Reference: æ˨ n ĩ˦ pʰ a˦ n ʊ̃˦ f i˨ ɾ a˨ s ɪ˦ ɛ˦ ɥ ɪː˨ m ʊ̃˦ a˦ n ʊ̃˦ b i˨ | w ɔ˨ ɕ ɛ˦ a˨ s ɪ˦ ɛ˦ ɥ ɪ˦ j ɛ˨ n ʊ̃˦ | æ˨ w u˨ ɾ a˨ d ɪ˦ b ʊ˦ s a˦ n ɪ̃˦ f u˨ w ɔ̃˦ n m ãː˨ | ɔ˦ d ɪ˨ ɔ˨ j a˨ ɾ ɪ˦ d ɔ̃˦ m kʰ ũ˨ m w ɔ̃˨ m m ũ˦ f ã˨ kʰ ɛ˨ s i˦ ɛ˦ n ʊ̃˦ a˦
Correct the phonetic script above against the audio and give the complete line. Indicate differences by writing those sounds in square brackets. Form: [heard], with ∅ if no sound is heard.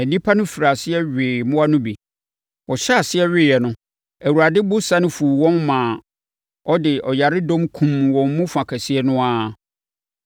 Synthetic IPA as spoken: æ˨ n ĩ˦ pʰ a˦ n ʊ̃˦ f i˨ ɾ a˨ s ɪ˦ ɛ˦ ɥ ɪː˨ m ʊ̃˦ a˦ n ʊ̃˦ b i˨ | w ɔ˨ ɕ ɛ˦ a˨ s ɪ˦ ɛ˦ ɥ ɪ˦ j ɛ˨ n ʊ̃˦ | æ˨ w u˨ ɾ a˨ d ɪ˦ b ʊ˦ s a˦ n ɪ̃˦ f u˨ w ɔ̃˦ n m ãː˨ | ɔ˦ d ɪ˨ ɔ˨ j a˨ ɾ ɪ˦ d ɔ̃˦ m kʰ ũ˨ m w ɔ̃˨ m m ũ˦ f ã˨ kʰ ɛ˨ s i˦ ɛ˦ n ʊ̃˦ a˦